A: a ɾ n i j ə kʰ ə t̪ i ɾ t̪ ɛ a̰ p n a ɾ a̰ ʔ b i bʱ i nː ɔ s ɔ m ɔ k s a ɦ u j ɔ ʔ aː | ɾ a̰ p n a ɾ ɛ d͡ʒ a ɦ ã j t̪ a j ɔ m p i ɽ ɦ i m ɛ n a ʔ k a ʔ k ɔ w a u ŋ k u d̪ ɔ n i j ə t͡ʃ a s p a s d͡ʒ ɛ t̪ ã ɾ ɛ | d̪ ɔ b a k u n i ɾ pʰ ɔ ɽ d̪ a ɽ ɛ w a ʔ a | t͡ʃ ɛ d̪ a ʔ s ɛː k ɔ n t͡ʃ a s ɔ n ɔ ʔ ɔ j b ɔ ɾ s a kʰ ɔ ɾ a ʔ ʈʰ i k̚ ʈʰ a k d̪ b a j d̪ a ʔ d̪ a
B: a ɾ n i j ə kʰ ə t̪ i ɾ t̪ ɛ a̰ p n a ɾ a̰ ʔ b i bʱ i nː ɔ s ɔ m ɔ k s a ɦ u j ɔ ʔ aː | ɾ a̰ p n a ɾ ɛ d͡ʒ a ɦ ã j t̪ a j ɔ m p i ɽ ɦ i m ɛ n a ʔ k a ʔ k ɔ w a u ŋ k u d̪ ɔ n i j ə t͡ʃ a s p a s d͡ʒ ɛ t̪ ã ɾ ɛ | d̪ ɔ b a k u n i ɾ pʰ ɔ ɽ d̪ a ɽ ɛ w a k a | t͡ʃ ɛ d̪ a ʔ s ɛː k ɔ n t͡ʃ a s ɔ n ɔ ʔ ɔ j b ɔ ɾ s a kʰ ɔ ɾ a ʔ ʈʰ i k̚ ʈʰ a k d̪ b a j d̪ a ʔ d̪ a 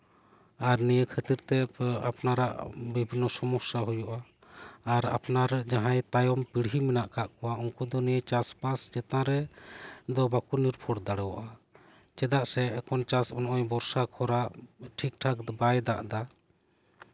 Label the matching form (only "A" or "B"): A